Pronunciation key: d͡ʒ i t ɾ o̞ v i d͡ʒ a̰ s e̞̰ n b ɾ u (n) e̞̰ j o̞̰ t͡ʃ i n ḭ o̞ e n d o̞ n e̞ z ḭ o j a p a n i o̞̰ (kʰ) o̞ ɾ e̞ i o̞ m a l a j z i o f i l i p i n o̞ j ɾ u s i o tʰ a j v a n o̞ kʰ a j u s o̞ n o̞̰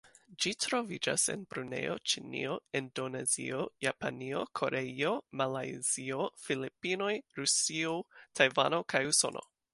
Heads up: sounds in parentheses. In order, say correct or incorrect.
correct, correct

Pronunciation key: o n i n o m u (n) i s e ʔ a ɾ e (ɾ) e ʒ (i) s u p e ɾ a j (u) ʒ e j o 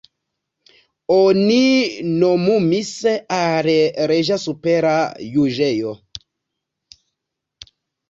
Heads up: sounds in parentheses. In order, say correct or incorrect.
incorrect: m, correct, incorrect: a, correct

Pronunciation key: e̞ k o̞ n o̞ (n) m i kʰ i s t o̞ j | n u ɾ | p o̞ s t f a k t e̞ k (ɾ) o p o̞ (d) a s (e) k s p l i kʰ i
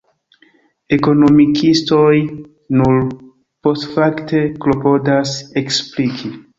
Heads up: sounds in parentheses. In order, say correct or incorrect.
incorrect: none, incorrect: l, correct, correct

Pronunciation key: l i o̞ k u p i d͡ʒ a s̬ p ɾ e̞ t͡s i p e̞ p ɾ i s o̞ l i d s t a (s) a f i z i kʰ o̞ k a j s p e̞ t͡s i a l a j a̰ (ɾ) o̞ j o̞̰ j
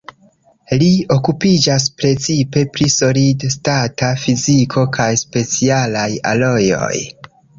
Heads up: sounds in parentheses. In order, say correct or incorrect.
incorrect: t, incorrect: l

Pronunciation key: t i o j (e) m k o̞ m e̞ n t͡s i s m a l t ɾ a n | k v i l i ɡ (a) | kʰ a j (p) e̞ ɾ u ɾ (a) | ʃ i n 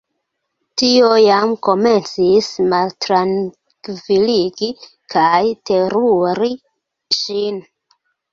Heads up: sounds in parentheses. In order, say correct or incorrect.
incorrect: a, incorrect: i, incorrect: t, incorrect: i

